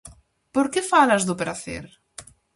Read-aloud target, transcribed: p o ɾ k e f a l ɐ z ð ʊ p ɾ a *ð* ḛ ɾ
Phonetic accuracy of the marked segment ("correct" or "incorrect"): incorrect